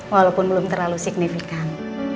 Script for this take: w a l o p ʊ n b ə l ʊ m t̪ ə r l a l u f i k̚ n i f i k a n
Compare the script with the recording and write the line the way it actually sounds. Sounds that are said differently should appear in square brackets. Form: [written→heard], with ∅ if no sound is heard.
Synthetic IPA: w a l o p ʊ n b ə l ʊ m t̪ ə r l a l u [f→s] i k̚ n i f i k a n